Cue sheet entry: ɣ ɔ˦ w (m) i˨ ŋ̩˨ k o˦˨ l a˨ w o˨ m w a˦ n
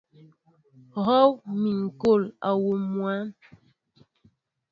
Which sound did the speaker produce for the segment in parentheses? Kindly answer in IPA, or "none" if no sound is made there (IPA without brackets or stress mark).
m